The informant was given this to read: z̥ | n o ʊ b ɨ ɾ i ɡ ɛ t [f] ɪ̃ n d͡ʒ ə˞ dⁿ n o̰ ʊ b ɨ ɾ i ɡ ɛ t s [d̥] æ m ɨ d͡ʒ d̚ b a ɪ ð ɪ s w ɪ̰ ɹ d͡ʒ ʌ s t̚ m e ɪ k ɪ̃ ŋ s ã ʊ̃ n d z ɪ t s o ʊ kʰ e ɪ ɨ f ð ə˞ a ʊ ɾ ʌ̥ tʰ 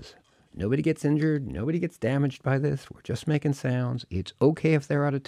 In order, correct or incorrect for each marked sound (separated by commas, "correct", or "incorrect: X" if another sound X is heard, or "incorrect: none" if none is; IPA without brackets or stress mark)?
incorrect: s, correct